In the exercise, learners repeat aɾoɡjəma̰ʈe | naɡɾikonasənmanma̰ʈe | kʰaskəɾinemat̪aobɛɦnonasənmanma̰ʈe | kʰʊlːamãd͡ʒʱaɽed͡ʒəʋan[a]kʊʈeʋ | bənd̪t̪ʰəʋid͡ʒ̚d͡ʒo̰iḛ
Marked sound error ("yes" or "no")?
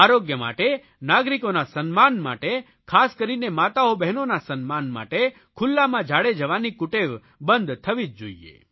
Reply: yes